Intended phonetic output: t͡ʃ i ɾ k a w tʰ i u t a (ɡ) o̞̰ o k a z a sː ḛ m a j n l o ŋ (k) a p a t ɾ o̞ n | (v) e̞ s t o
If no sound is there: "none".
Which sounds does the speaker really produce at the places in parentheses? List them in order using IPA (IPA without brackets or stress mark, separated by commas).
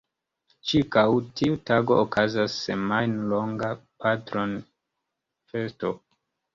ɡ, ɡ, f